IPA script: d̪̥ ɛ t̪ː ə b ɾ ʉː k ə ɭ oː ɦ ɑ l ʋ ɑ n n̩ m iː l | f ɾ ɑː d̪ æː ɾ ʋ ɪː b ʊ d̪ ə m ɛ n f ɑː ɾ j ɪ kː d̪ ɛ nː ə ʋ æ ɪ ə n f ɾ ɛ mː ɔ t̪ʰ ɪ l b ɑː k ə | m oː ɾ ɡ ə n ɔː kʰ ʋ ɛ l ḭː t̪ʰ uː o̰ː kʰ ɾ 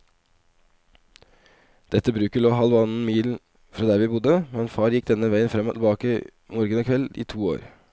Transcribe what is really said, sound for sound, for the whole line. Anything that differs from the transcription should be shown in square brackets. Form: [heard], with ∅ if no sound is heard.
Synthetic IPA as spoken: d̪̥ ɛ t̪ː ə b ɾ ʉː k ə ɭ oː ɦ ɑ l ʋ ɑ n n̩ m iː l | f ɾ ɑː d̪ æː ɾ ʋ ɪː b ʊ d̪ ə m ɛ n f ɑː ɾ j ɪ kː d̪ ɛ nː ə ʋ æ ɪ ə n f ɾ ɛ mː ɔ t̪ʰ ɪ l b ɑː k ə | m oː ɾ ɡ ə n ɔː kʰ ʋ ɛ l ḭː t̪ʰ uː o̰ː [∅] ɾ